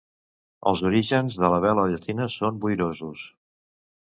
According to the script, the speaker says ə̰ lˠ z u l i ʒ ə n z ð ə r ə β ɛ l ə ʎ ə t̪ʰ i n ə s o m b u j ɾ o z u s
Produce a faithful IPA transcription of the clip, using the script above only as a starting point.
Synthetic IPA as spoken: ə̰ lˠ z u ɾ i ʒ ə n z ð ə l ə β ɛ l ə ʎ ə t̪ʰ i n ə s o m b u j ɾ o z u s